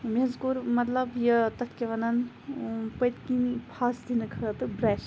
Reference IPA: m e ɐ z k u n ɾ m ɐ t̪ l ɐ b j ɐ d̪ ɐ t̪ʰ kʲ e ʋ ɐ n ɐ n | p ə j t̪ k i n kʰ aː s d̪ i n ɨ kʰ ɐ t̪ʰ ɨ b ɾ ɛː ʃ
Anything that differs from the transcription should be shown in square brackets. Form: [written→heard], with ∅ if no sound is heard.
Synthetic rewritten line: m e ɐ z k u [n→∅] ɾ m ɐ t̪ l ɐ b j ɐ [d̪→t̪] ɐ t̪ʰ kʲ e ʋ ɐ n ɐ n | p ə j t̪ k i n [kʰ→pʰ] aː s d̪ i n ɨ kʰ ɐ [t̪ʰ→t̪] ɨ b ɾ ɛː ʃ